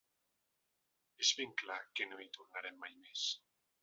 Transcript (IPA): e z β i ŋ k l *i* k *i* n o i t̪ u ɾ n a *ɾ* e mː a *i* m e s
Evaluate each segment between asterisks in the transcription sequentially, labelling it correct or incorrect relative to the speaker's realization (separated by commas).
incorrect, incorrect, correct, incorrect